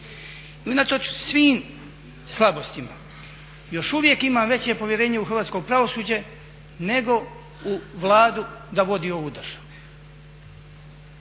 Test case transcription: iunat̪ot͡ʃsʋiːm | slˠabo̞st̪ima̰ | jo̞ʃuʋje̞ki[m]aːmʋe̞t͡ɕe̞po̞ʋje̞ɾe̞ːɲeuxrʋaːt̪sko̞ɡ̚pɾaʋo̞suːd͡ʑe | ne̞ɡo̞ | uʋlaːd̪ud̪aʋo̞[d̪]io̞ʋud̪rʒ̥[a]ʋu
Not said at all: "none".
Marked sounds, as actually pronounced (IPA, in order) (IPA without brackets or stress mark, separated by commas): m, d̪, a